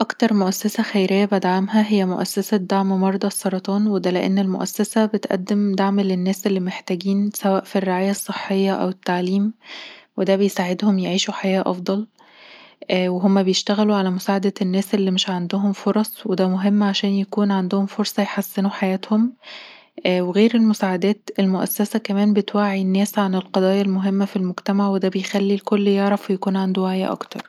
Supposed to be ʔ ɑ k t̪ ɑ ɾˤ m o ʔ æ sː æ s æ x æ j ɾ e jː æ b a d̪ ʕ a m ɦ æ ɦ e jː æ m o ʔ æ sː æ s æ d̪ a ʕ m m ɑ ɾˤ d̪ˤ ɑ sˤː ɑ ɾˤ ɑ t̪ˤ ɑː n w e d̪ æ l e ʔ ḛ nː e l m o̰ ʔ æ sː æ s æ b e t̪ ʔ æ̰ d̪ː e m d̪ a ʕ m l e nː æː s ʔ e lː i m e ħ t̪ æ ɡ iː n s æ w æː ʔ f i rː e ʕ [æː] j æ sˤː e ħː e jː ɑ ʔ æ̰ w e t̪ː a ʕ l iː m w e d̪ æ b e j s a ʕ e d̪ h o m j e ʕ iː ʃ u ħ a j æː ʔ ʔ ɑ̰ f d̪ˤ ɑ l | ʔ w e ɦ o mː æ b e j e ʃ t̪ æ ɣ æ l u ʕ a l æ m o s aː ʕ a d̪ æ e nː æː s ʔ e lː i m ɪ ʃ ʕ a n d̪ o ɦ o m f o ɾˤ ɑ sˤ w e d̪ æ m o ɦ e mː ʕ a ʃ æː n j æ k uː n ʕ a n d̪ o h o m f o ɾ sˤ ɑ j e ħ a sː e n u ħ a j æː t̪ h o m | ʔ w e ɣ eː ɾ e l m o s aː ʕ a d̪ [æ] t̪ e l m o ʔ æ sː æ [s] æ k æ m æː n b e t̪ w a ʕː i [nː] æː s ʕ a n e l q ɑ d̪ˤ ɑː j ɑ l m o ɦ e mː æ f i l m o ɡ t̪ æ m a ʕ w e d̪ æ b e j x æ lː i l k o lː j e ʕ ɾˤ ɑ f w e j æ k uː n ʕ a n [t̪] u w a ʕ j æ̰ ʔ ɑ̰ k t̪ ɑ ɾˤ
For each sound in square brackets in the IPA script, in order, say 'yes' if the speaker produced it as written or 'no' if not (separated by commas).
no, no, yes, yes, no